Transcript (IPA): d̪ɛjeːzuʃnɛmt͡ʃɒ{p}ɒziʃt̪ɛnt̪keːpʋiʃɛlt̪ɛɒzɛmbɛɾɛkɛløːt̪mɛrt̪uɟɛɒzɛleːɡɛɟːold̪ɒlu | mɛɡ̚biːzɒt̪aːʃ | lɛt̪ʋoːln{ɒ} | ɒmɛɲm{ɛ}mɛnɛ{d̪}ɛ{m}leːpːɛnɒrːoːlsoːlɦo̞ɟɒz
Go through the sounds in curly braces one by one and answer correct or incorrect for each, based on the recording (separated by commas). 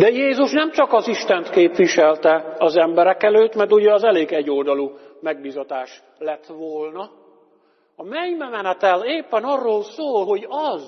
incorrect, correct, correct, incorrect, incorrect